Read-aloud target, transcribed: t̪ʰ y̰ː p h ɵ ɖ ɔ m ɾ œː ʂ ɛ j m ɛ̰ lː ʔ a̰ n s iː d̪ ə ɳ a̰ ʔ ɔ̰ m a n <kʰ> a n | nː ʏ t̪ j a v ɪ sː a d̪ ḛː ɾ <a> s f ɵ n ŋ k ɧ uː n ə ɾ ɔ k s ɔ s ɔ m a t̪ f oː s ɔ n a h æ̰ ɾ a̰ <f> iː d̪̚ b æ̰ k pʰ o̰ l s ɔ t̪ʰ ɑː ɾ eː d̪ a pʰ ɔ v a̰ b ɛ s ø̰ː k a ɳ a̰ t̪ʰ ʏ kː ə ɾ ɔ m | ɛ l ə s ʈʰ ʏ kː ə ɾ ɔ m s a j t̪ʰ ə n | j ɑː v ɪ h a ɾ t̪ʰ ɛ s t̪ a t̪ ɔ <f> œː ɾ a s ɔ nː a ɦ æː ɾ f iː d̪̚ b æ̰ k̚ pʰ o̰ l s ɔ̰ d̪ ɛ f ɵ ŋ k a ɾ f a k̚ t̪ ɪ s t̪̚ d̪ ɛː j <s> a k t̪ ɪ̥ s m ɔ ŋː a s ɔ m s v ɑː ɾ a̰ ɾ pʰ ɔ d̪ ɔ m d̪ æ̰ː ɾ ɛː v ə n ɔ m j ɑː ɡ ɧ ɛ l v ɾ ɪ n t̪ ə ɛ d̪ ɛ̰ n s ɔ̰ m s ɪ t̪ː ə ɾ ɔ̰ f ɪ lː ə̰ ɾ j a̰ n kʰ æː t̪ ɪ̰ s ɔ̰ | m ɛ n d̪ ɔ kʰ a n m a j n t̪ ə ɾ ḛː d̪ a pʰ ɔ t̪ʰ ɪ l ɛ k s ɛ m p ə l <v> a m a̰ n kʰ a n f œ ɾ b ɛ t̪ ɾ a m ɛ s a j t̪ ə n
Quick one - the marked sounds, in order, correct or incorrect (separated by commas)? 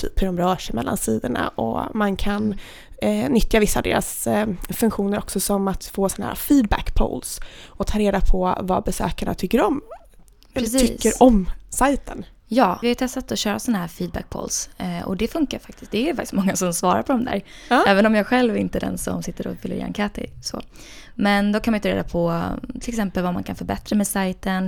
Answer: correct, correct, correct, incorrect, incorrect, correct